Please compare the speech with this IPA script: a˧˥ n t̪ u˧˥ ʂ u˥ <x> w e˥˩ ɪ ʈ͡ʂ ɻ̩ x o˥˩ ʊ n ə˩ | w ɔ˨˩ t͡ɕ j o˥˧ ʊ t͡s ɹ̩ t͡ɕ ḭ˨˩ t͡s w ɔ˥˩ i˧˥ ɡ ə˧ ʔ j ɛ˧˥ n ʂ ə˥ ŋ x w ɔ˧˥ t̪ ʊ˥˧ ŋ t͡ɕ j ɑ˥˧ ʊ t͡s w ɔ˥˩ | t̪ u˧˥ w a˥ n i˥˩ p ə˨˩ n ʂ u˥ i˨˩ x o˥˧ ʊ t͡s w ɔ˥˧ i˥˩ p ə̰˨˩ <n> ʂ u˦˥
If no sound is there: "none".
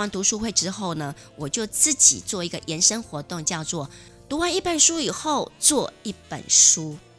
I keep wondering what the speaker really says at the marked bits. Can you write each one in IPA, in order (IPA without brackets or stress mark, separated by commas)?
x, n